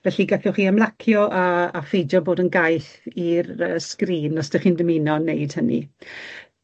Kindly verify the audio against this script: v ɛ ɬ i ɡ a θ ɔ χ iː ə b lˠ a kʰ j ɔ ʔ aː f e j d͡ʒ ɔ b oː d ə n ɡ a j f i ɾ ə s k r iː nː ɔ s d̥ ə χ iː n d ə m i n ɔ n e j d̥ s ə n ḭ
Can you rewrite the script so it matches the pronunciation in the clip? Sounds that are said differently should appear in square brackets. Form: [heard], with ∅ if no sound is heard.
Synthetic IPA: v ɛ ɬ i ɡ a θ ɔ χ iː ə [m] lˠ a kʰ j ɔ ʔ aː f e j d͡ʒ ɔ b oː d ə n ɡ a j [θ] i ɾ ə s k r iː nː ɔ s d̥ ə χ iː n d ə m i n ɔ n e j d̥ [h] ə n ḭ

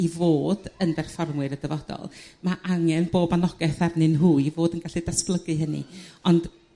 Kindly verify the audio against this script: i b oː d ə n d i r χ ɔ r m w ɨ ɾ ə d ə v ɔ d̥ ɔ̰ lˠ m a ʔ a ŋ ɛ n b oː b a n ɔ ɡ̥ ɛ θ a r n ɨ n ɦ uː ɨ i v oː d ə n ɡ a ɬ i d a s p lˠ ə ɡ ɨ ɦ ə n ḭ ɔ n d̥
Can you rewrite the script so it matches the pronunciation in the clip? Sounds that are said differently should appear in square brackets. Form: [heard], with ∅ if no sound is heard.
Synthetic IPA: i [v] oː d ə n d [ɛ] r [f] ɔ r m w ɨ ɾ ə d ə v ɔ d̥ ɔ̰ lˠ m a ʔ a ŋ ɛ n b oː b a n ɔ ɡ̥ ɛ θ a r n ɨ n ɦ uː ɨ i v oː d ə n ɡ a ɬ i d a s p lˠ ə ɡ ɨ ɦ ə n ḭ ɔ n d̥

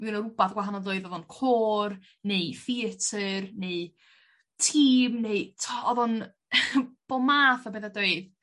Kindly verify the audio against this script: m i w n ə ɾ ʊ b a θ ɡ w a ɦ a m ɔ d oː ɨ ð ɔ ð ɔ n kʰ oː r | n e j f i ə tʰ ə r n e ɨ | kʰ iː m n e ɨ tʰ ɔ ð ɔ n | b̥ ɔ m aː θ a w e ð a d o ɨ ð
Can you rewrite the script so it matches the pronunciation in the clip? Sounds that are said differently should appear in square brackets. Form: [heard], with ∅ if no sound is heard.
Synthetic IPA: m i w n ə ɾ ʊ b a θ ɡ w a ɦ a [n] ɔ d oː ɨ ð ɔ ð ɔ n kʰ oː r | n e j f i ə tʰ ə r n e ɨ | [tʰ] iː m n e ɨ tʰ ɔ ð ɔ n | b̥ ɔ m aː θ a [b] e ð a d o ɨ ð

